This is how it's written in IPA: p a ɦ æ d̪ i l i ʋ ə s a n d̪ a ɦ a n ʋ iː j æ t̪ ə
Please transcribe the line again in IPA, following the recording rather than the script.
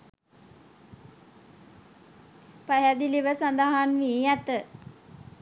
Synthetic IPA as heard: p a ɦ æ d̪ i l i ʋ ə s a n d̪ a ɦ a n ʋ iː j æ t̪ ə